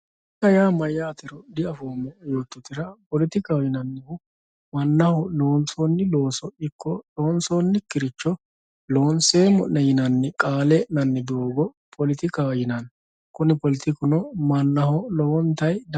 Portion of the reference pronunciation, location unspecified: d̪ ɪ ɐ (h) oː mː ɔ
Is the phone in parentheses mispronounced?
yes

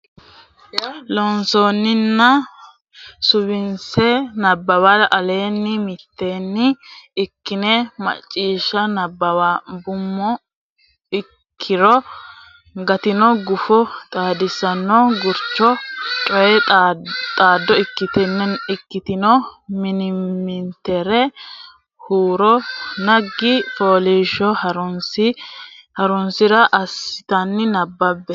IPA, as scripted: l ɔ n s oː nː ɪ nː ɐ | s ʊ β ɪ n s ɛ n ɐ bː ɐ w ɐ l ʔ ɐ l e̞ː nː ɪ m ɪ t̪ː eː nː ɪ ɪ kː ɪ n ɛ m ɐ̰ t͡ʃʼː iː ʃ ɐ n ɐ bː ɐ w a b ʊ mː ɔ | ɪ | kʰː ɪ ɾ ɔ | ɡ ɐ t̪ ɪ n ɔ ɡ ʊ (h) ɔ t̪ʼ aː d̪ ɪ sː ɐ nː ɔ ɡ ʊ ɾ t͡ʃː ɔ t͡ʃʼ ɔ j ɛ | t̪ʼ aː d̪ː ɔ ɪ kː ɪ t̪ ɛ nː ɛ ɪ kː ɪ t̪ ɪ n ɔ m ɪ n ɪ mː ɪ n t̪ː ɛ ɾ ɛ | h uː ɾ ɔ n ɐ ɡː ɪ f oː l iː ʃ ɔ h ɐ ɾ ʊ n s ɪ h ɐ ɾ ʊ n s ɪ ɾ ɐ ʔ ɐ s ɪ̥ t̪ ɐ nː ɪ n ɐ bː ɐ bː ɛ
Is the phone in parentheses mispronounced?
yes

